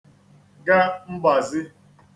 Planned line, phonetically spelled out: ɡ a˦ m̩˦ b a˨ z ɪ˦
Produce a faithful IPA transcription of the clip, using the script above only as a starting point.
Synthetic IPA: ɡ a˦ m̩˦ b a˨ z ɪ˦